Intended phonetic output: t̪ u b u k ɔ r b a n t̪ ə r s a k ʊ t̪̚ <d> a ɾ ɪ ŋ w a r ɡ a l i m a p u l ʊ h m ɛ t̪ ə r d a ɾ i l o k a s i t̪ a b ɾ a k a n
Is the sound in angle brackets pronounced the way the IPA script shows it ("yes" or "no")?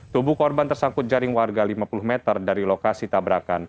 no